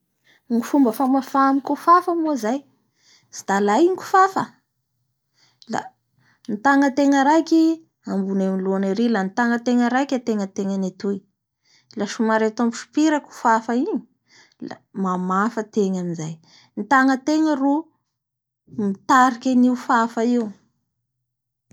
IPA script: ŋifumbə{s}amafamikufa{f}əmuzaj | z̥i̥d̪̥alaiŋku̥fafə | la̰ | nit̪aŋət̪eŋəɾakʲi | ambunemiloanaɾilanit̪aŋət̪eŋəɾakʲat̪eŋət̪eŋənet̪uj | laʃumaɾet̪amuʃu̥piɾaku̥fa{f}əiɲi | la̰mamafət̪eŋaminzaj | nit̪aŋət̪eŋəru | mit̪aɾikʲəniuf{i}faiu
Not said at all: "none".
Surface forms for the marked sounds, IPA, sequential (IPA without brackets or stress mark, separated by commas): f, f, f, a